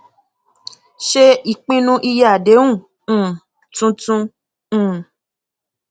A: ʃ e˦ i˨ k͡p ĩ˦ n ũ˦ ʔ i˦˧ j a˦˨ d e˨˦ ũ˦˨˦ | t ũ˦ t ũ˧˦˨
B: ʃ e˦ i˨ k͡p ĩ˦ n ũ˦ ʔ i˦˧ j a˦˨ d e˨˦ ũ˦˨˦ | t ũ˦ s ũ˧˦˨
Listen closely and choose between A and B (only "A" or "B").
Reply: A